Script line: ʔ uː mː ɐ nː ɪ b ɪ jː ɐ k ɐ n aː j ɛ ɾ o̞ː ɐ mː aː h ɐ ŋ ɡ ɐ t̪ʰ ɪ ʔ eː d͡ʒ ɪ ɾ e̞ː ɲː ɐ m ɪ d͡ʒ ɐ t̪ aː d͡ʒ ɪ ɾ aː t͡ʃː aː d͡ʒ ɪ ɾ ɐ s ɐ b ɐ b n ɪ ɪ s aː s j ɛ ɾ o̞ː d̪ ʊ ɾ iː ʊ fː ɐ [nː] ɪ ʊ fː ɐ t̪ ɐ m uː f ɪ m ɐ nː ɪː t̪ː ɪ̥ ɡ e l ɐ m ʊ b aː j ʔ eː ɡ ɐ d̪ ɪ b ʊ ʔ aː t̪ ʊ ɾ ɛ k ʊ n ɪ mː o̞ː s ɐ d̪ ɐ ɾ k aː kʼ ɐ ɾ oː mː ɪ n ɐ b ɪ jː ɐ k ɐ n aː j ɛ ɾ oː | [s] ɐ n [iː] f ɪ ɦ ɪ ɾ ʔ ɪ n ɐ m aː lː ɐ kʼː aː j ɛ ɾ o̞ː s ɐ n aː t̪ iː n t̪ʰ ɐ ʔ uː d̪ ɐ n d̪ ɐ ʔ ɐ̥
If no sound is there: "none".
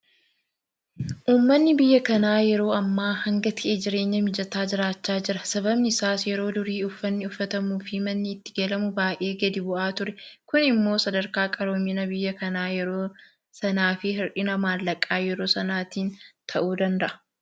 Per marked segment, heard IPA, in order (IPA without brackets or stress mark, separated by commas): nː, s, aː